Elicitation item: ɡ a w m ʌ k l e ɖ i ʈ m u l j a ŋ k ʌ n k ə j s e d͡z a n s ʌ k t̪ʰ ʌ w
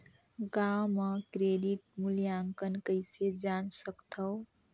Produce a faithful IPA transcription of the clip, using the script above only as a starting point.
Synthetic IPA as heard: ɡ a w m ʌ k ɾ e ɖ i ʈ m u l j a ŋ k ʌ n k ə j s e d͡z a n s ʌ k t̪ʰ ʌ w

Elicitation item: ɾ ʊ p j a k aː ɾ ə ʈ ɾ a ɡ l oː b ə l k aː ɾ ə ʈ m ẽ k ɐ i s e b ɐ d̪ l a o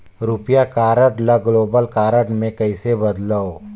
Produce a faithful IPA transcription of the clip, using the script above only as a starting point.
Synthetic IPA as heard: ɾ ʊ p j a k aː ɾ ə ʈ l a ɡ l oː b ə l k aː ɾ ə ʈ m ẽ k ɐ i s e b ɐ d̪ l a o

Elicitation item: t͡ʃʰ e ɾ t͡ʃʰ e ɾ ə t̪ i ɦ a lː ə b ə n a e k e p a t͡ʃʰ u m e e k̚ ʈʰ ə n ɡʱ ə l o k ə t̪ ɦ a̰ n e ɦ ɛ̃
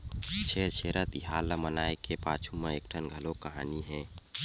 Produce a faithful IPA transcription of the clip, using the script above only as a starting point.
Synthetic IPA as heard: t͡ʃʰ e ɾ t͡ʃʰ e ɾ ə t̪ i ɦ a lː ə m ə n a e k e p a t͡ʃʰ u m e e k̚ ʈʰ ə n ɡʱ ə l o k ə ɦ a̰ n i ɦ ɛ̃

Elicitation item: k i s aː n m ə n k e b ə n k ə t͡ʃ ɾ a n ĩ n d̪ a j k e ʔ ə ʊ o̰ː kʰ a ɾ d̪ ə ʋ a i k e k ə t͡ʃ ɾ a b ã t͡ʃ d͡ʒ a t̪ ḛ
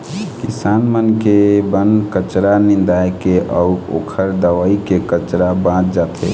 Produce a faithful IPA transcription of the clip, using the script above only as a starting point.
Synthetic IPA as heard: k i s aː n m ə n k e b ə n k ə t͡ʃ ɾ a n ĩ n d̪ a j k e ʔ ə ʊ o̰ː kʰ ə ɾ d̪ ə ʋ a i k e k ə t͡ʃ ɾ a b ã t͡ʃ d͡ʒ a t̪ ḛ

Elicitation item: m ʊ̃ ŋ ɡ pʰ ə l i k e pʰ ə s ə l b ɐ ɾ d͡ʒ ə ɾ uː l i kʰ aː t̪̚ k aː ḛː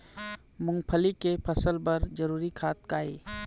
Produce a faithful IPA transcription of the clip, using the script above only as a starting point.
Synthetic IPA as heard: m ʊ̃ ŋ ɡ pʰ ə l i k e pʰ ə s ə l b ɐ ɾ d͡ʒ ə ɾ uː ɾ i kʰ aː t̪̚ k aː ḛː

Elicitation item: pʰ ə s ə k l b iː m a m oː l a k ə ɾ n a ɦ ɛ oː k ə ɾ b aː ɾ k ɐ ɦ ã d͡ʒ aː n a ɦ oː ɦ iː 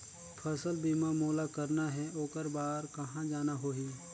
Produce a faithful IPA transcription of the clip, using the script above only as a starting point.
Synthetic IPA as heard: pʰ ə s ə l b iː m a m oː l a k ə ɾ n a ɦ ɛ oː k ə ɾ b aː ɾ k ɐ ɦ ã d͡ʒ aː n a ɦ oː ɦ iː

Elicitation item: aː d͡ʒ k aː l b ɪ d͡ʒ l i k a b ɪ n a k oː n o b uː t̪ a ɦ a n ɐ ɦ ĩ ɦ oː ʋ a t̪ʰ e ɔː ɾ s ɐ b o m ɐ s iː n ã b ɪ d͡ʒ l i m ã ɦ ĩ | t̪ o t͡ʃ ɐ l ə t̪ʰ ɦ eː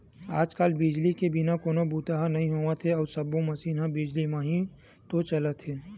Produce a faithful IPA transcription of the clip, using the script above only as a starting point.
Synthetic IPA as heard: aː d͡ʒ k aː l b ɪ d͡ʒ l i k e b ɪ n a k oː n o b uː t̪ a ɦ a n ɐ ɦ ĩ ɦ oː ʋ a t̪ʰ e ɔː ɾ s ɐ b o m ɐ s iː n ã b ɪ d͡ʒ l i m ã ɦ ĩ | t̪ o t͡ʃ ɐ l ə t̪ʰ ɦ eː

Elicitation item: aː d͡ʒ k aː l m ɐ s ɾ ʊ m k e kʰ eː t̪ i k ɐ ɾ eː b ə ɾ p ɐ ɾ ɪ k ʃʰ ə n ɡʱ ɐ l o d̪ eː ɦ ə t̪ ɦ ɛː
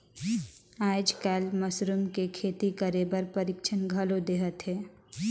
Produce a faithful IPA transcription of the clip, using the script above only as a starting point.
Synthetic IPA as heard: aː d͡ʒ k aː l m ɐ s ɾ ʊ m k e kʰ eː t̪ i k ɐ ɾ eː b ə ɾ p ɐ ɾ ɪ k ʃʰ ə n ɡʱ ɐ l o d̪ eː ɦ ə t̪ ɦ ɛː

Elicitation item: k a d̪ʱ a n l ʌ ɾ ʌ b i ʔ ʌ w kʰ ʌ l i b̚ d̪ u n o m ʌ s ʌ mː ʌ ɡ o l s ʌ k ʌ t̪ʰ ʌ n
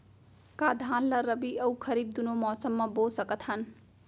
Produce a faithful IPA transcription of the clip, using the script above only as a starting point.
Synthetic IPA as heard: k a d̪ʱ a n l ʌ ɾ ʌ b i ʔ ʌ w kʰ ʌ ɾ i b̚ d̪ u n o m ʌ s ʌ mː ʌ b o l s ʌ k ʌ t̪ʰ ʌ n

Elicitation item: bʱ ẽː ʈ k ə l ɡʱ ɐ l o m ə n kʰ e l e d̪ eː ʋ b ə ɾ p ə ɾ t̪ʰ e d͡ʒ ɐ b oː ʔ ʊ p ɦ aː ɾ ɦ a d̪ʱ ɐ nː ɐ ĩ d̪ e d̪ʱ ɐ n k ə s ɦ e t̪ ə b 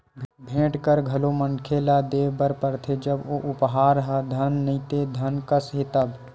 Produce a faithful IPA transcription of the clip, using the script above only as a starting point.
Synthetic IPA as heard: bʱ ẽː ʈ k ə ɾ ɡʱ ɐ l o m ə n kʰ e l a d̪ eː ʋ b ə ɾ p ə ɾ t̪ʰ e d͡ʒ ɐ b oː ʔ ʊ p ɦ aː ɾ ɦ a d̪ʱ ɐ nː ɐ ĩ t̪ e d̪ʱ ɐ n k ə s ɦ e t̪ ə b

